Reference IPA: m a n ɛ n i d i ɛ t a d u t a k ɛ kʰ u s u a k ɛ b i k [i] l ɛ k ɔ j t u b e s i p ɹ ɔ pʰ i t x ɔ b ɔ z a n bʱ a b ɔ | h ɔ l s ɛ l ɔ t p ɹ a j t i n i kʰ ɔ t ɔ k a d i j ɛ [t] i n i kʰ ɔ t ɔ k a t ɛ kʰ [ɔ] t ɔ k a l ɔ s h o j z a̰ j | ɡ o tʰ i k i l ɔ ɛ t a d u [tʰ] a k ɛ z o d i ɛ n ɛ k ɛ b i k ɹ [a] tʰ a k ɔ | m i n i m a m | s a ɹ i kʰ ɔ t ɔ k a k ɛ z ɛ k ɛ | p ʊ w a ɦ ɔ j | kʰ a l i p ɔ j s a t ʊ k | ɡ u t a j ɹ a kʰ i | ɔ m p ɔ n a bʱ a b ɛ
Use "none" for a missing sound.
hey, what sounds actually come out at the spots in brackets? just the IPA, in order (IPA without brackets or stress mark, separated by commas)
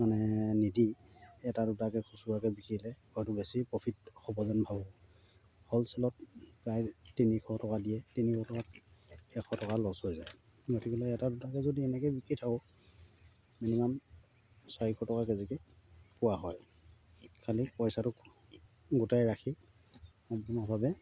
i, t, ɔ, t, i